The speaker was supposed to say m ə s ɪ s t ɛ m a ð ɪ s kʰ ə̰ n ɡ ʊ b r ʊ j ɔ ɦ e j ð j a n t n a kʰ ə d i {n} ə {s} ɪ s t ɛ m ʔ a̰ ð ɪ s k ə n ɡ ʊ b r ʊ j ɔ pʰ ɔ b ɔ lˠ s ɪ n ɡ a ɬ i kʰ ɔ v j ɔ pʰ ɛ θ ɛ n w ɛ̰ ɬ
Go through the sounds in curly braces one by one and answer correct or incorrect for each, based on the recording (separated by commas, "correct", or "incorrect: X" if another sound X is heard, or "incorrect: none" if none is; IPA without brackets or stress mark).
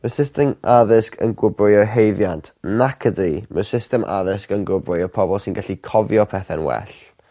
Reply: incorrect: m, correct